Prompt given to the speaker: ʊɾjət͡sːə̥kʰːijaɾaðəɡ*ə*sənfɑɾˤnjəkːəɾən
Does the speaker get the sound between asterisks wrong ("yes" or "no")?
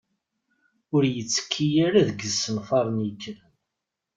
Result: no